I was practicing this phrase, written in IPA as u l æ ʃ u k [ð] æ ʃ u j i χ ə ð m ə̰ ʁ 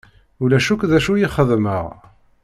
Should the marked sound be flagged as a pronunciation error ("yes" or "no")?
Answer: no